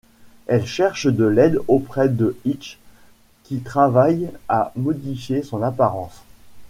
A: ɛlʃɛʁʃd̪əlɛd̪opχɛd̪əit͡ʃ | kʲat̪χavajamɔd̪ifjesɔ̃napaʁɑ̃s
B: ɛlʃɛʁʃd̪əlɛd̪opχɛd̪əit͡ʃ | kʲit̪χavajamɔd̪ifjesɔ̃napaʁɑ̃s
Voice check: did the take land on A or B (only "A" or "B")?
B